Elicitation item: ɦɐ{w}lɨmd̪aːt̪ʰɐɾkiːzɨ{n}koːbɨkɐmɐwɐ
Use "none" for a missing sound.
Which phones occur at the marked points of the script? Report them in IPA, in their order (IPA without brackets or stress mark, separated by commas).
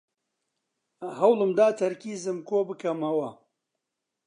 w, m